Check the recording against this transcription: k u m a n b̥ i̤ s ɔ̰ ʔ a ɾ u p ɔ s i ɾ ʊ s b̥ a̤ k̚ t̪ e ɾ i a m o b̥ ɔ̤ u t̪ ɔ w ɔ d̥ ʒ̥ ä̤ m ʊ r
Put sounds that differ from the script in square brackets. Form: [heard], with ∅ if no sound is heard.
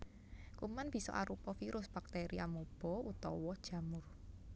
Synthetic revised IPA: k u m a n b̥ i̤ s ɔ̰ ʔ a ɾ u p ɔ [f] i ɾ ʊ s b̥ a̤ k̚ t̪ e ɾ i a m o b̥ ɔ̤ u t̪ ɔ w ɔ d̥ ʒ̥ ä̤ m ʊ r